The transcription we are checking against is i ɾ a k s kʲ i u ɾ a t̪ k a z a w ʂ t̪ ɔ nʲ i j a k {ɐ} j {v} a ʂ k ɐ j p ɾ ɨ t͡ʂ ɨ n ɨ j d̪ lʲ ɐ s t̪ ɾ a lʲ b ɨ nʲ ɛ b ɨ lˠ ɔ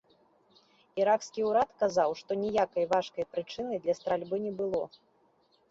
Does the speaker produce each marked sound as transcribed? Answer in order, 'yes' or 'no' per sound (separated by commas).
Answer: yes, yes